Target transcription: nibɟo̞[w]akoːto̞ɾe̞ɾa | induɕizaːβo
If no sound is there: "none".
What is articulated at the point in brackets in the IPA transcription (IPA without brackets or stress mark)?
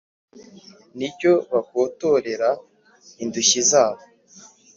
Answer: β